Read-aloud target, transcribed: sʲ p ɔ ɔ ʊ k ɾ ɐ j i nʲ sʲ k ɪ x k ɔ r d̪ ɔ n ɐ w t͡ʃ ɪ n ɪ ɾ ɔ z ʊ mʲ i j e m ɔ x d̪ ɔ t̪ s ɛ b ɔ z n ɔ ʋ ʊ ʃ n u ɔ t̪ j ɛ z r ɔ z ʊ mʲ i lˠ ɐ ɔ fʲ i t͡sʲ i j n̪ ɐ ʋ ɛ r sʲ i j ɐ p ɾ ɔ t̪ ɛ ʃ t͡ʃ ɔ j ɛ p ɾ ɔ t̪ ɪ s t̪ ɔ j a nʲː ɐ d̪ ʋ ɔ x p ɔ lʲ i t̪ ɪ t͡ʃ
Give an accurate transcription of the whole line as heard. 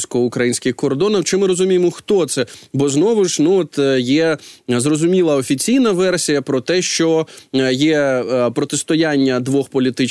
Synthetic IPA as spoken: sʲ k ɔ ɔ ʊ k ɾ ɐ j i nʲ sʲ k ɪ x k ɔ r d̪ ɔ n ɐ w t͡ʃ ɪ m ɪ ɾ ɔ z ʊ mʲ i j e m ɔ x t̪ ɔ t̪ s ɛ b ɔ z n ɔ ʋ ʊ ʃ n u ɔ t̪ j ɛ z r ɔ z ʊ mʲ i lˠ ɐ ɔ fʲ i t͡sʲ i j n̪ ɐ ʋ ɛ r sʲ i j ɐ p ɾ ɔ t̪ ɛ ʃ t͡ʃ ɔ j ɛ p ɾ ɔ t̪ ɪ s t̪ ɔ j a nʲː ɐ d̪ ʋ ɔ x p ɔ lʲ i t̪ ɪ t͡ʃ